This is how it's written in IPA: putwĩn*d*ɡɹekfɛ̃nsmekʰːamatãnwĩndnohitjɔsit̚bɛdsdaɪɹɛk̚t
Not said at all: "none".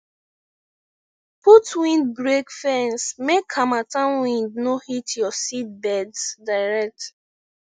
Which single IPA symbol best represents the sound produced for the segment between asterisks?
d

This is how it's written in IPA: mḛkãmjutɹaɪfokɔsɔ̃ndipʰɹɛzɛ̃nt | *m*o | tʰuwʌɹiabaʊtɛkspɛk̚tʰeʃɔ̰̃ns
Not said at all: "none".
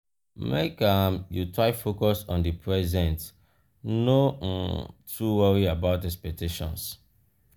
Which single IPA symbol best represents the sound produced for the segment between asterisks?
n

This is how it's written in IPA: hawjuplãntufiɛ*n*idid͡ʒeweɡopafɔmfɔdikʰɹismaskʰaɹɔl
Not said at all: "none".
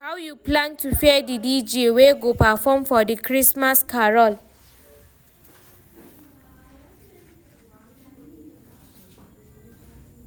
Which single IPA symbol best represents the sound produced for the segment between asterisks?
d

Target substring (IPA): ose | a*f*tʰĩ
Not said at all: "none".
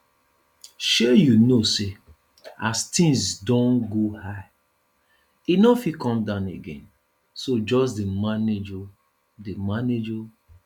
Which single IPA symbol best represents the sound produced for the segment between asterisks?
s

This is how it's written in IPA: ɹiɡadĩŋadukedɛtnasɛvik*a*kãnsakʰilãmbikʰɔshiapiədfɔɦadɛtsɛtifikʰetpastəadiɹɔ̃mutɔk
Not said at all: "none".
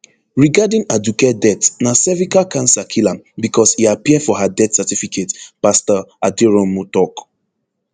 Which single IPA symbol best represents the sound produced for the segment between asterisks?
a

